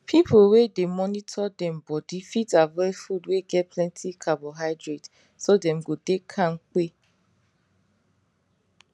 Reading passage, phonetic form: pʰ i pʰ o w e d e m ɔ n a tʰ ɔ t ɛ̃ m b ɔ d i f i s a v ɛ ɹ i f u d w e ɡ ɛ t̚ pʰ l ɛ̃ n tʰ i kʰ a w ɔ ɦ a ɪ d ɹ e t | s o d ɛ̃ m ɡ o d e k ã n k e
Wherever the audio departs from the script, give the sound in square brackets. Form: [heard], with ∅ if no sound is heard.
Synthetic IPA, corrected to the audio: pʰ i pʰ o w e d e m ɔ n [i] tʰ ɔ [d] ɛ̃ m b ɔ d i f i [t] a v ɛ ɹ i f u d w e ɡ ɛ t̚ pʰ l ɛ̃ n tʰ i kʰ a [b] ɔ ɦ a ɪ d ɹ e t | s o d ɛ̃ m ɡ o d e [kʰ] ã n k e